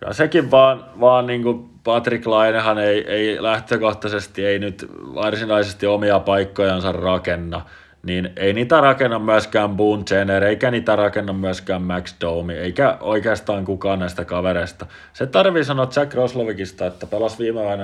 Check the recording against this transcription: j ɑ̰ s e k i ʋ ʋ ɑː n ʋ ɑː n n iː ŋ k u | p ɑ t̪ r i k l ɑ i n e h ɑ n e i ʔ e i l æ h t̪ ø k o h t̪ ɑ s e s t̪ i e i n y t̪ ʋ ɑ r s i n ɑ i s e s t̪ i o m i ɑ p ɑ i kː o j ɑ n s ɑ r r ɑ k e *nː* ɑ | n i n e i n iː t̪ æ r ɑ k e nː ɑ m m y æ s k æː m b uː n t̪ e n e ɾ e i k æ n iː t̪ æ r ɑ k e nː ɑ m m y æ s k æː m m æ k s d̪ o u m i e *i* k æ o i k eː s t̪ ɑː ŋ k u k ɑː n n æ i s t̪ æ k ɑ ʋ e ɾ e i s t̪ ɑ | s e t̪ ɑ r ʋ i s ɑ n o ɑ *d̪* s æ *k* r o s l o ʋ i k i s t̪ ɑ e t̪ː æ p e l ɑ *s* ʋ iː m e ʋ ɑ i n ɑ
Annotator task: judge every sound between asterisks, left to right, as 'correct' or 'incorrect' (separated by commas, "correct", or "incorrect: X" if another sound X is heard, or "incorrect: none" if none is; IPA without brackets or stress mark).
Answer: correct, correct, incorrect: t̪, correct, correct